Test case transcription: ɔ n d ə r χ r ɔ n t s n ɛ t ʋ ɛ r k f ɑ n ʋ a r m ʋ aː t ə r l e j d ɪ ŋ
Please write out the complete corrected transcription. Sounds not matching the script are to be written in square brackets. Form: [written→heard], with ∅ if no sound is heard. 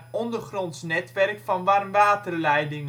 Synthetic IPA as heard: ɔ n d ə r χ r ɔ n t s n ɛ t ʋ ɛ r k f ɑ n ʋ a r m ʋ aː t ə r l [e→ɛ] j d ɪ ŋ